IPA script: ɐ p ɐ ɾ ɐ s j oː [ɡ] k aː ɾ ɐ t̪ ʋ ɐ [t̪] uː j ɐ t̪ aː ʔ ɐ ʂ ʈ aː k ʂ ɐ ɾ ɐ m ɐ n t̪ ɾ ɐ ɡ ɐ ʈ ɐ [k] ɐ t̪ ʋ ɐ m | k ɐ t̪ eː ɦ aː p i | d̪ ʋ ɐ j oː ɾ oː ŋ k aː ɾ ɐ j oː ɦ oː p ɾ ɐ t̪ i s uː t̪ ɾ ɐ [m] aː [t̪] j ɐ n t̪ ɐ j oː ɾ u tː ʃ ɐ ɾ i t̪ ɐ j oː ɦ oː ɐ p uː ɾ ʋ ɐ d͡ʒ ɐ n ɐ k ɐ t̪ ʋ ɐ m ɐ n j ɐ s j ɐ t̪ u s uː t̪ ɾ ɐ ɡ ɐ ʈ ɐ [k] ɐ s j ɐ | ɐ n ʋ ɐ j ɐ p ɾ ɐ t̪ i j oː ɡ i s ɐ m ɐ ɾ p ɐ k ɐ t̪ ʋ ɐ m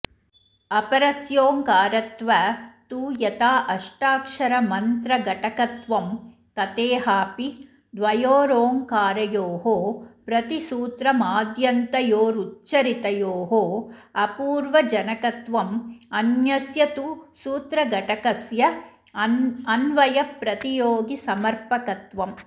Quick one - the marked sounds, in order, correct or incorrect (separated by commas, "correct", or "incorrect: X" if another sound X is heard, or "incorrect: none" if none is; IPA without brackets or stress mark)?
incorrect: ŋ, correct, correct, correct, incorrect: d̪, correct